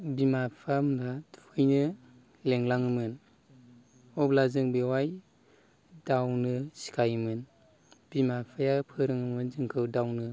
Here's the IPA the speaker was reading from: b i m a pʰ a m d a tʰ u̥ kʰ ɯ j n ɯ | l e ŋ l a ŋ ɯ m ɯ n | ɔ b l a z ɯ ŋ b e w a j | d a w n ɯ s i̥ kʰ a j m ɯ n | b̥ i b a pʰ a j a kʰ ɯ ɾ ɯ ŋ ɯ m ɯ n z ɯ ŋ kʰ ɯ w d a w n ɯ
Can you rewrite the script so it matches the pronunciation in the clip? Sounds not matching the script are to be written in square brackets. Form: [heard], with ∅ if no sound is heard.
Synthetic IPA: b i m a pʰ a m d a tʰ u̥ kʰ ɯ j n ɯ | l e ŋ l a ŋ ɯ m ɯ n | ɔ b l a z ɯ ŋ b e w a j | d a w n ɯ s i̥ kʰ a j m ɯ n | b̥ i [m] a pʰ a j a [pʰ] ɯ ɾ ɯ ŋ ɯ m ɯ n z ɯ ŋ kʰ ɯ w d a w n ɯ

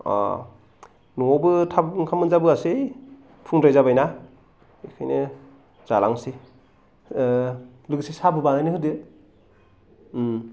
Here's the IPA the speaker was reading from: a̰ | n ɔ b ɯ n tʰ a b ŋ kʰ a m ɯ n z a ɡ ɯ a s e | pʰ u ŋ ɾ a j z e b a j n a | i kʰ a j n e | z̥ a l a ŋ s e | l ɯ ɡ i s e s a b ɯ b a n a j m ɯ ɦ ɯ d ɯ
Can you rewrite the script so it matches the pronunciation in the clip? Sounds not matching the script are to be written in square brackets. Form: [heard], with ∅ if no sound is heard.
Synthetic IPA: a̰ | n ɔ b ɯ [∅] tʰ a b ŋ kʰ a m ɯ n z a [b] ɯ a s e | pʰ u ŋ ɾ a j z [a] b a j n a | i kʰ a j n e | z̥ a l a ŋ s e | l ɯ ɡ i s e s a b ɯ b a n a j [n] ɯ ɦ ɯ d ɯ

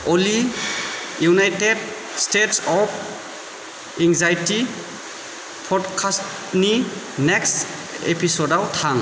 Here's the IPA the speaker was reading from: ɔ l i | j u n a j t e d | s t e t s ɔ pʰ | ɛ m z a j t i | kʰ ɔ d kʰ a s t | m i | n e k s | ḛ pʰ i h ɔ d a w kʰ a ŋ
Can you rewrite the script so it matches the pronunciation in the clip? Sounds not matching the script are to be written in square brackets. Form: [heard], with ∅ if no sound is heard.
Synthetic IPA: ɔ l i | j u n a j t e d | s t e t s ɔ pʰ | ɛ [ŋ] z a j t i | [pʰ] ɔ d kʰ a s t | [n] i | n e k s | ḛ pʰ i [s] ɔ d a w [tʰ] a ŋ

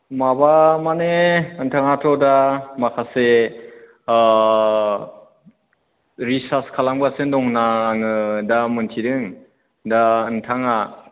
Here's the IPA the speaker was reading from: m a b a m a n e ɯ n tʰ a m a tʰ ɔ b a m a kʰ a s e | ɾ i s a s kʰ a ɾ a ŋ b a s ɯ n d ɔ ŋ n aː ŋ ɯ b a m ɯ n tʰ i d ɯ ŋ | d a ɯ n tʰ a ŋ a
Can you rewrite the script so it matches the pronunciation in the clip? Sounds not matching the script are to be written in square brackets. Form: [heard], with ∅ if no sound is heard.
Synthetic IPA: m a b a m a n e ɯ n tʰ a [ŋ] a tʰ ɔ [d] a m a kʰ a s e | ɾ i s a s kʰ a [l] a ŋ b a s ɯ n d ɔ ŋ n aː ŋ ɯ [d] a m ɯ n tʰ i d ɯ ŋ | d a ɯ n tʰ a ŋ a

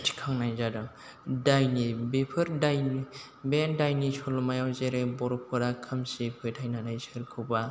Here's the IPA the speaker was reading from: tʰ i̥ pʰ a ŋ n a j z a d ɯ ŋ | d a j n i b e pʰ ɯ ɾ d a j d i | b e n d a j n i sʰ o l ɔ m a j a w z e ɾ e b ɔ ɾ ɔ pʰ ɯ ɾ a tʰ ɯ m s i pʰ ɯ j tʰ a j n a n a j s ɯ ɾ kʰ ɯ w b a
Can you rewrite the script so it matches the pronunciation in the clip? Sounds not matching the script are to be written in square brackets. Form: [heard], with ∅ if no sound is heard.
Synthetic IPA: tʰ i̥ [kʰ] a ŋ n a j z a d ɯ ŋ | d a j n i b e pʰ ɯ ɾ d a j [n] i | b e n d a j n i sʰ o l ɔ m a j a w z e ɾ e b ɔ ɾ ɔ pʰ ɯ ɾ a [kʰ] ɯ m s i pʰ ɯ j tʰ a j n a n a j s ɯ ɾ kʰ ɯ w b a

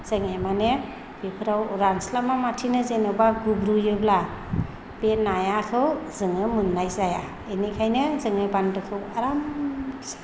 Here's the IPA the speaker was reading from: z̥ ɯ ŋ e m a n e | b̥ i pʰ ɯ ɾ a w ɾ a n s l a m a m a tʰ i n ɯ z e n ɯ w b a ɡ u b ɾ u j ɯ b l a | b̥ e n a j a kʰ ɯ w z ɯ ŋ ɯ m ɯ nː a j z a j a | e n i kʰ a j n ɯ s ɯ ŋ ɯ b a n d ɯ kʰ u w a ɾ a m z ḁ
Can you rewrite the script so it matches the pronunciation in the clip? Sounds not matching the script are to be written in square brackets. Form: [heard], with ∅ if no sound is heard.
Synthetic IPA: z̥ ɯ ŋ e m a n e | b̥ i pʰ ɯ ɾ a w ɾ a n s l a m a m a tʰ i n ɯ z e n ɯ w b a ɡ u b ɾ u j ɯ b l a | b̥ e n a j a kʰ ɯ w z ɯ ŋ ɯ m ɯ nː a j z a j a | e n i kʰ a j n ɯ [z] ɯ ŋ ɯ b a n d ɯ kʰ [ɯ] w a ɾ a m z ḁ

